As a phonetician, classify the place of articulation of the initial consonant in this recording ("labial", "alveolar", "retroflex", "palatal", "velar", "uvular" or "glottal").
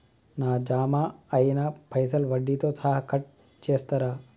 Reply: alveolar